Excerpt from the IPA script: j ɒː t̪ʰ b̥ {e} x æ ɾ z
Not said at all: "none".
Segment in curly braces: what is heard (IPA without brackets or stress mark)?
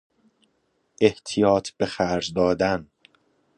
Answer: e